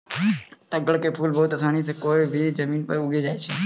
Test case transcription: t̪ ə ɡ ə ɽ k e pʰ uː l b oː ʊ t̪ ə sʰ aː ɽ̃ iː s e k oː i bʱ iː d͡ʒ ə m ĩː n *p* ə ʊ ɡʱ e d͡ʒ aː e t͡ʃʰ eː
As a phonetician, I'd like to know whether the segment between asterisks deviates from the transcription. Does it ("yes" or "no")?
no